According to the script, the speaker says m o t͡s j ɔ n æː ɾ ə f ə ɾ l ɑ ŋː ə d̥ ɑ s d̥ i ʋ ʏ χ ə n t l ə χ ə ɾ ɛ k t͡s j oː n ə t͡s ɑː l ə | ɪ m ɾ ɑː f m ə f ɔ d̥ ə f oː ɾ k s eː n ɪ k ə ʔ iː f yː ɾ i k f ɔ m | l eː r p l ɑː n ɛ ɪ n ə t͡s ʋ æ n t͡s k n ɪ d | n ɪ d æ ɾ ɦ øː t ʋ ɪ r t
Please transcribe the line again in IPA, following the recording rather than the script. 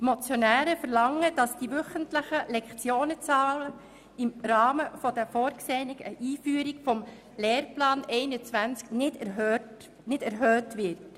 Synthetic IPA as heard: m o t͡s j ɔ n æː ɾ ə f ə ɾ l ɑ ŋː ə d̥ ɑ s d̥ i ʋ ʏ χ ə n t l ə χ ə l ɛ k t͡s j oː n ə t͡s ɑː l ə | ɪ m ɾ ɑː m ə f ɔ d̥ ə f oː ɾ k s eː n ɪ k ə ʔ iː f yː ɾ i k f ɔ m | l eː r p l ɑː n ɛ ɪ n ə t͡s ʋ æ n t͡s k n ɪ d | n ɪ d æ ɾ ɦ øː t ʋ ɪ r t